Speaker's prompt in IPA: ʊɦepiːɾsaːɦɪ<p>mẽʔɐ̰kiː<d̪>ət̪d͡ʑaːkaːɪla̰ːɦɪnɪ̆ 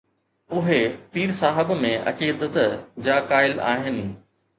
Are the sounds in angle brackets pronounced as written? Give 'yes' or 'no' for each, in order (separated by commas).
no, yes